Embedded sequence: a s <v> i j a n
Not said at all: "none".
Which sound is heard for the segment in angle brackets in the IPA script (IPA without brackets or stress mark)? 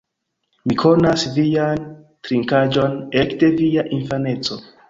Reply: v